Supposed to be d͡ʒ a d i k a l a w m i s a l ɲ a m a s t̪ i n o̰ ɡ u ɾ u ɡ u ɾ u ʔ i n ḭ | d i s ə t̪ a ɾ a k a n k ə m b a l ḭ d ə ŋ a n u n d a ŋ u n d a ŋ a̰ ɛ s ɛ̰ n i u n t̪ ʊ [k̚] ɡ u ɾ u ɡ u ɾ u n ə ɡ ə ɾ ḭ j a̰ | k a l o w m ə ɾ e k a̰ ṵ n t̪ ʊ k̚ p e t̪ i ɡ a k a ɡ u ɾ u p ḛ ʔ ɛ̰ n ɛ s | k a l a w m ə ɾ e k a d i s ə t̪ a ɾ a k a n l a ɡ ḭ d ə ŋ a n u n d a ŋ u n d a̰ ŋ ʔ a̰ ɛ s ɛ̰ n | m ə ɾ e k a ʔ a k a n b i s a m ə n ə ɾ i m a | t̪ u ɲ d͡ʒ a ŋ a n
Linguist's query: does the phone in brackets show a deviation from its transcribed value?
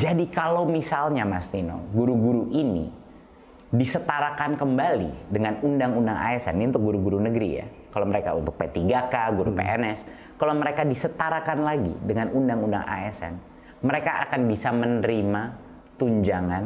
no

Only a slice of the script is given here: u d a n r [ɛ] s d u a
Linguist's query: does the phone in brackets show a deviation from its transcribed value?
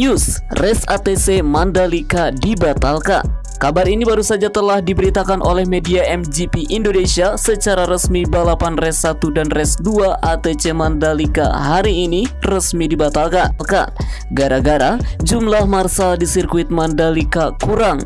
no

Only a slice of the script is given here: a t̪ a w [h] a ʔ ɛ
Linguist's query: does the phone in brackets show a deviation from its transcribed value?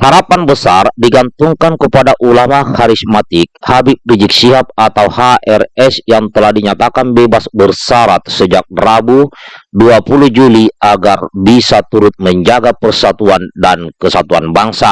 no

